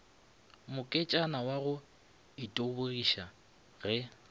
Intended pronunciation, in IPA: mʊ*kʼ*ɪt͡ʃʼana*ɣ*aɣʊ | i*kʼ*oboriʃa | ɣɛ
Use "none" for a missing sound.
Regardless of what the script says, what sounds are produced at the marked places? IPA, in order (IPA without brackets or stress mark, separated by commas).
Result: kʼ, w, tʼ